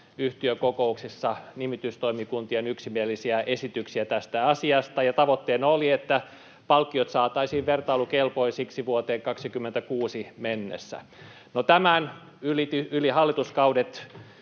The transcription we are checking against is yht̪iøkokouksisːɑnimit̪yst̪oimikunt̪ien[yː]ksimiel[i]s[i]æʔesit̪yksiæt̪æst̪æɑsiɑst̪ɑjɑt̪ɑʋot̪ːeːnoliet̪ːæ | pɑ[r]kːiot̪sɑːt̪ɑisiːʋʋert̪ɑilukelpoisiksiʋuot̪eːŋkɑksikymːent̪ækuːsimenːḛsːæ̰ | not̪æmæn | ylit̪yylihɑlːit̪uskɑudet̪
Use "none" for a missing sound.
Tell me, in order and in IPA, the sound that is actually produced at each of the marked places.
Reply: y, i, i, l

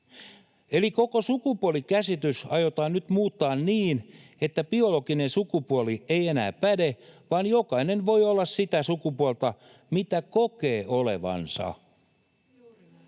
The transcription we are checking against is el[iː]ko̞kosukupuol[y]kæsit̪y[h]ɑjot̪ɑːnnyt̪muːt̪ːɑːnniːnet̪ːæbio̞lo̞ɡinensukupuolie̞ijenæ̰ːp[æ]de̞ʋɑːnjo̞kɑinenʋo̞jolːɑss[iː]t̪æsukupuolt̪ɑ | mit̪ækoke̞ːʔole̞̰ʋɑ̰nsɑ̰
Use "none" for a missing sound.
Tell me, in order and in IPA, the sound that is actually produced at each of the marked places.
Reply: i, i, s, æ, i

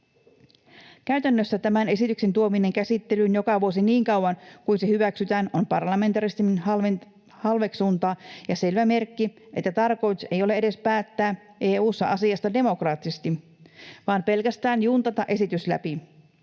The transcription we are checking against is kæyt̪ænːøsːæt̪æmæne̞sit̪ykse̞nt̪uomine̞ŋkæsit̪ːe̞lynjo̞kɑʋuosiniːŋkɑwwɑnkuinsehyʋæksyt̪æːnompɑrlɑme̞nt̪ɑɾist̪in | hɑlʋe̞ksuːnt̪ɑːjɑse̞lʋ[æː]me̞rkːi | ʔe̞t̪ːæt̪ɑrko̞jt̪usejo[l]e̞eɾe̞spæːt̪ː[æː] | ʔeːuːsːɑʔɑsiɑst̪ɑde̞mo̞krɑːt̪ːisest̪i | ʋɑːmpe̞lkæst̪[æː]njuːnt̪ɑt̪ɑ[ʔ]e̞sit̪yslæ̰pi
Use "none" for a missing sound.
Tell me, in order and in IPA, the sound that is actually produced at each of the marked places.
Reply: æ, l, æː, æː, ʔ

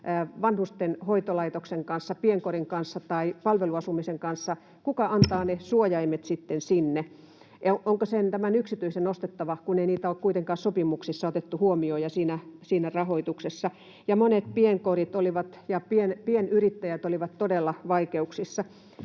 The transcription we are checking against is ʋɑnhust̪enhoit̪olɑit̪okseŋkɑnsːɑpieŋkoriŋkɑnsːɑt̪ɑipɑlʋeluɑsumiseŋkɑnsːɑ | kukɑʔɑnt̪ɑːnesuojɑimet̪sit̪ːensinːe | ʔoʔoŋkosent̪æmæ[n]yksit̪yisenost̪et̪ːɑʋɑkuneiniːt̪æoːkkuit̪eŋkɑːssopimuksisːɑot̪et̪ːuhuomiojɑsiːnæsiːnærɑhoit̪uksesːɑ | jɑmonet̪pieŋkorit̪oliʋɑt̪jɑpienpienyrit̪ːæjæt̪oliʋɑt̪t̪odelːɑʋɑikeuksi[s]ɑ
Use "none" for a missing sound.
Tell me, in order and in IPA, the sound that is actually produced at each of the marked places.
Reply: n, sː

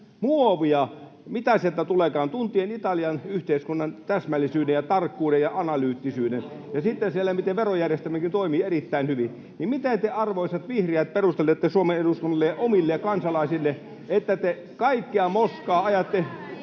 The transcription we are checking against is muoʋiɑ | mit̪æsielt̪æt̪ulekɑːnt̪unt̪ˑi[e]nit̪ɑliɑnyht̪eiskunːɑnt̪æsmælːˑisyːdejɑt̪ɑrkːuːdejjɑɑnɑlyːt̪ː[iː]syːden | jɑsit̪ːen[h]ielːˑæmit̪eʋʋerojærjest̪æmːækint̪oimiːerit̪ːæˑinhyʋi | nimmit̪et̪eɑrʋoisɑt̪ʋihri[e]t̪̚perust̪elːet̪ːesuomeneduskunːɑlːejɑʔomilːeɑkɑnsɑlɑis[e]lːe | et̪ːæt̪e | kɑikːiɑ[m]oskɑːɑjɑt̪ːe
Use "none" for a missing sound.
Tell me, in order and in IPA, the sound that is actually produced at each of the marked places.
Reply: e, i, s, æ, i, m

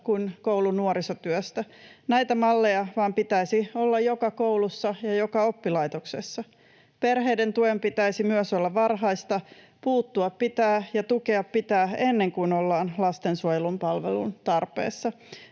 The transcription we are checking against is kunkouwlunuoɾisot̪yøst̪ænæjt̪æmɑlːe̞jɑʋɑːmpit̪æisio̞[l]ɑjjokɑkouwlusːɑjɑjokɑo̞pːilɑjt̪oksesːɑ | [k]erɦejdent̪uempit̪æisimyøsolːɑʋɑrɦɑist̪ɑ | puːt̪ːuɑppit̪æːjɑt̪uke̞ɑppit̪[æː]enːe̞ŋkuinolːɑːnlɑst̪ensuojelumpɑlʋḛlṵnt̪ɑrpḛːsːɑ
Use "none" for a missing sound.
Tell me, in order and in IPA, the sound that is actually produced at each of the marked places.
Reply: lː, p, æː

